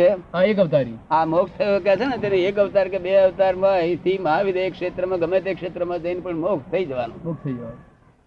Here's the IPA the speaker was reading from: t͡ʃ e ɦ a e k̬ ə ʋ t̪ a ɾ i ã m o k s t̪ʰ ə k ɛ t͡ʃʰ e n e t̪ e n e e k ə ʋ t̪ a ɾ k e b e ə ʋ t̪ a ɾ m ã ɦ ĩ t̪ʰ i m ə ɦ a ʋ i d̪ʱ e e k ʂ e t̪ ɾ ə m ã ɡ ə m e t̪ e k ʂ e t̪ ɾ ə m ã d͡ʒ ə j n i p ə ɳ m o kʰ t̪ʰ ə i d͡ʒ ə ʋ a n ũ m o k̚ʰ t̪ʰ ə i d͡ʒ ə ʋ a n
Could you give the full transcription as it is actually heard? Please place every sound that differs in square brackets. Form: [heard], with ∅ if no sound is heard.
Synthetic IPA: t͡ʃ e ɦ a e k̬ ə ʋ t̪ a ɾ i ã m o k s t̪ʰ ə k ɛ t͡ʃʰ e n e t̪ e n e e k ə ʋ t̪ a ɾ k e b e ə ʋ t̪ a ɾ m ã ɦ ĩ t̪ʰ i m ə ɦ a ʋ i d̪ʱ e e k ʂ e t̪ ɾ ə m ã ɡ ə m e t̪ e k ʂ e t̪ ɾ ə m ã d͡ʒ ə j n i p ə ɳ m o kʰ t̪ʰ ə i d͡ʒ ə ʋ a n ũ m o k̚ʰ t̪ʰ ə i d͡ʒ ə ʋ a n